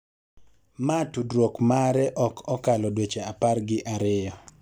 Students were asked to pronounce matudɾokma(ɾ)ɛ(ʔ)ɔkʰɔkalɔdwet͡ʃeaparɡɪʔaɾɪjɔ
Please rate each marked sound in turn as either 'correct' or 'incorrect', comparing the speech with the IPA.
correct, correct

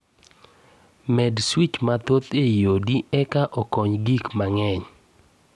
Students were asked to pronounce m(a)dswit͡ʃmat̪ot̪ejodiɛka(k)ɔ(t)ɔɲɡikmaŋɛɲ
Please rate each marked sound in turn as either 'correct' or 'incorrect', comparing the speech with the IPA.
incorrect: ɛ, incorrect: ʔ, incorrect: k

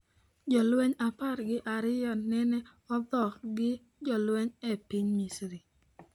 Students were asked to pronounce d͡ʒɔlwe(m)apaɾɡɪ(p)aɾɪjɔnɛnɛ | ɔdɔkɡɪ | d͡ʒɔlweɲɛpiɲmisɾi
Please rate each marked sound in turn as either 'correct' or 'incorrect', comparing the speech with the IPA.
incorrect: ɲ, incorrect: ʔ

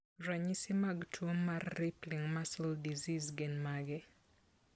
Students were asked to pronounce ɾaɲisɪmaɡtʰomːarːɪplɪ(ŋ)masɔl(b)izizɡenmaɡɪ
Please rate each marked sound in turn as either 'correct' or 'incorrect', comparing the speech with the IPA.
correct, incorrect: d

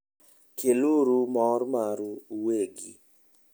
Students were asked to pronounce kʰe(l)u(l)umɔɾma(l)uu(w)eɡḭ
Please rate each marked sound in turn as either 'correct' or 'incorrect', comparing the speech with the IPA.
correct, incorrect: ɾ, incorrect: ɾ, correct

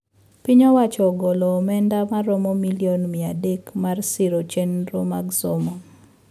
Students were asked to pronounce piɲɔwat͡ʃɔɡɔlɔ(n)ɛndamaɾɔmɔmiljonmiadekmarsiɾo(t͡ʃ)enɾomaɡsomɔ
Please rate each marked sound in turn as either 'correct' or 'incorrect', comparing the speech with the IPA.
incorrect: m, correct

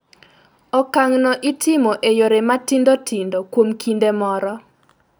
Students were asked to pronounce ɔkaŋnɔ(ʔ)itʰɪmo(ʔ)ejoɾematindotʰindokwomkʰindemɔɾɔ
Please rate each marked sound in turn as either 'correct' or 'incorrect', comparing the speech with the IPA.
correct, correct

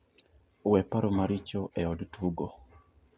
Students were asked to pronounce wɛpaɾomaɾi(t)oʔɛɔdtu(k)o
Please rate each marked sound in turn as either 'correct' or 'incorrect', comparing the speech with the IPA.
incorrect: t͡ʃ, incorrect: ɡ

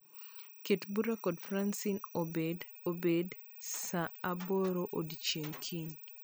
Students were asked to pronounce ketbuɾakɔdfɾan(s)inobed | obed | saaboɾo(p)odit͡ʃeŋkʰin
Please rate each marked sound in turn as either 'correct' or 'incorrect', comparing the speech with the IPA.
correct, incorrect: ʔ

